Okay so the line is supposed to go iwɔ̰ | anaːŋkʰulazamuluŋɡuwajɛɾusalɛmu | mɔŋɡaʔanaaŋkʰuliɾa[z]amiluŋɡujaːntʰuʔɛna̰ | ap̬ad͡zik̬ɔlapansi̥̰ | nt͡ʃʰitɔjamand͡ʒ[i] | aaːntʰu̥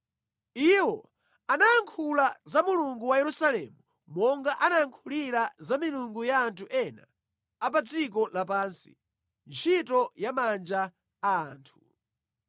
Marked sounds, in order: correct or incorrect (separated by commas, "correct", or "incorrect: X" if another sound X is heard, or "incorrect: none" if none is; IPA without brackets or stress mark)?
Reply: correct, incorrect: a